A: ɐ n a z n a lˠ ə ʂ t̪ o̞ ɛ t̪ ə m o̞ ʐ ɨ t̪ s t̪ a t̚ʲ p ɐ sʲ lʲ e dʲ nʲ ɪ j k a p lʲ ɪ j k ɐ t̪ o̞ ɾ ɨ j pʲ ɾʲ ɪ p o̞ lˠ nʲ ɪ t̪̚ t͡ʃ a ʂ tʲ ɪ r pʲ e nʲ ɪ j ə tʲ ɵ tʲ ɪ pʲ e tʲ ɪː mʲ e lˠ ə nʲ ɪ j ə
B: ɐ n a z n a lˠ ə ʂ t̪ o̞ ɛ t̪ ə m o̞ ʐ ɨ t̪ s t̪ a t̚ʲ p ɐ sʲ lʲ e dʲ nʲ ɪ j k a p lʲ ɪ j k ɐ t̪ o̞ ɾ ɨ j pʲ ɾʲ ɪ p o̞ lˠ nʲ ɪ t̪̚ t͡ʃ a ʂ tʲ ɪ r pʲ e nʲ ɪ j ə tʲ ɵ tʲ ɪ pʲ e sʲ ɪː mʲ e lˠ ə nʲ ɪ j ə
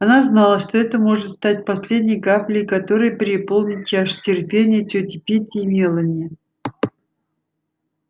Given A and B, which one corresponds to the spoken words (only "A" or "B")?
A